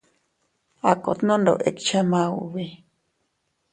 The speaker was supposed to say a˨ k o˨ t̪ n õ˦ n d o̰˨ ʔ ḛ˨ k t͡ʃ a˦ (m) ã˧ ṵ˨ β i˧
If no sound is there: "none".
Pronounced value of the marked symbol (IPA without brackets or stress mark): m